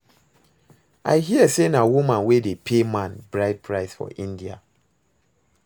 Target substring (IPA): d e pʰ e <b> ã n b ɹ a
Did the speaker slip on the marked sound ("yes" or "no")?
yes